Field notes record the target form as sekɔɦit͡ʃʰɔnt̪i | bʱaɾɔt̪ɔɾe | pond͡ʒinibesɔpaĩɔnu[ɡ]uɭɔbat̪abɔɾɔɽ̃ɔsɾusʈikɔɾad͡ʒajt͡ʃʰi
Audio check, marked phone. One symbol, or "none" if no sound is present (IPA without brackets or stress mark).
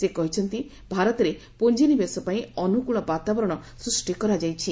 k